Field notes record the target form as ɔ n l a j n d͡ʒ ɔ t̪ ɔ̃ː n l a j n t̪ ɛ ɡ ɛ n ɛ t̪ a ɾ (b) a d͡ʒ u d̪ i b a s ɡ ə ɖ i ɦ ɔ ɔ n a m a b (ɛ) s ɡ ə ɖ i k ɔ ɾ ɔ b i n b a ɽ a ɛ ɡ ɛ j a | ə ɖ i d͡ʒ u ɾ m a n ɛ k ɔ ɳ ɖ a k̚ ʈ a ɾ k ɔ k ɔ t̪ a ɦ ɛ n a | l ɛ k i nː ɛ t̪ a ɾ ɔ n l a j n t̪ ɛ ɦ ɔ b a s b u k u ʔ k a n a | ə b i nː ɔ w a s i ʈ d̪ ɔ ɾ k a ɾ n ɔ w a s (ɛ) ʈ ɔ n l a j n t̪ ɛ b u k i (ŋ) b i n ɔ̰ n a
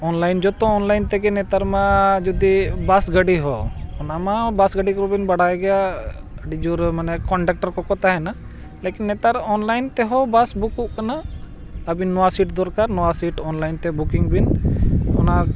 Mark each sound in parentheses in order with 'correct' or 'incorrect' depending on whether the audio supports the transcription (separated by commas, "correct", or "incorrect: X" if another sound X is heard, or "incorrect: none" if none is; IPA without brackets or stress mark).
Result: incorrect: m, incorrect: a, incorrect: i, correct